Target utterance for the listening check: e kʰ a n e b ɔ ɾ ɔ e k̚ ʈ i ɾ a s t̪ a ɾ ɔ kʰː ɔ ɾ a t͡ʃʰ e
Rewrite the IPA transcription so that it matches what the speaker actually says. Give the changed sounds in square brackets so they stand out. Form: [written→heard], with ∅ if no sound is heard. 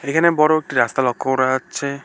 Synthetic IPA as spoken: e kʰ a n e b ɔ ɾ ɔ e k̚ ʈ i ɾ a s t̪ a [ɾ→l] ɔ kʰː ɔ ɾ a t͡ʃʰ e